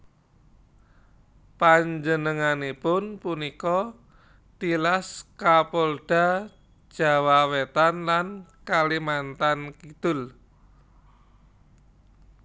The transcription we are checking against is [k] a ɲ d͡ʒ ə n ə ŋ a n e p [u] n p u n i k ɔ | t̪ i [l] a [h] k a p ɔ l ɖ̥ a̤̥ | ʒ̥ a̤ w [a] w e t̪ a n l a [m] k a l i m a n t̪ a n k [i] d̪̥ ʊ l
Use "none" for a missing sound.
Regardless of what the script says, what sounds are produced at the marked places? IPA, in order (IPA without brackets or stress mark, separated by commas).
p, ʊ, l, s, a, n, i